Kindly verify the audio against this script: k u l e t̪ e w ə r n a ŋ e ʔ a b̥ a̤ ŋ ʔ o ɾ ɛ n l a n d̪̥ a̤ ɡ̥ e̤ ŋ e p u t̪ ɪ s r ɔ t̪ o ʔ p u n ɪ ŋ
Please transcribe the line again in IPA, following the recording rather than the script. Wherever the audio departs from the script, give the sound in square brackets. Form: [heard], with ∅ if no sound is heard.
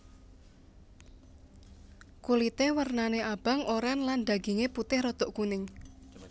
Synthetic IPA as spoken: k u l [i] t̪ e w ə r n a [n] e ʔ a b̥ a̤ ŋ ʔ o ɾ ɛ n l a n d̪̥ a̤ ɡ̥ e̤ ŋ e p u t̪ ɪ [h] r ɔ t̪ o ʔ [k] u n ɪ ŋ